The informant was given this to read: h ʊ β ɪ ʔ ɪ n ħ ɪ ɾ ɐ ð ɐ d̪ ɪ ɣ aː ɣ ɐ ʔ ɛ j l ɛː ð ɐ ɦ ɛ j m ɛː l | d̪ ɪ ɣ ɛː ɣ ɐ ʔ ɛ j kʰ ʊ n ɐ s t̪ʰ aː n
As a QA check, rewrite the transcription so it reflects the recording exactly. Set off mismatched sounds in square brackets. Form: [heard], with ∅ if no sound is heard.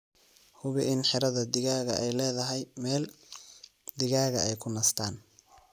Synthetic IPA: h ʊ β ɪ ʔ ɪ n ħ ɪ ɾ ɐ ð ɐ d̪ ɪ ɣ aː ɣ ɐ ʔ ɛ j l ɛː ð ɐ ɦ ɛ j m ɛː l | d̪ ɪ ɣ [aː] ɣ ɐ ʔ ɛ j kʰ ʊ n ɐ s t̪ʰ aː n